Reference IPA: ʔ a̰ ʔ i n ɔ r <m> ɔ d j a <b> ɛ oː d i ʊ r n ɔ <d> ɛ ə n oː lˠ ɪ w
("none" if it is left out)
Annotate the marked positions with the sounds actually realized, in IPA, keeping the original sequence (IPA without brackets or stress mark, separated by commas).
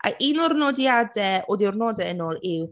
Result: n, d, d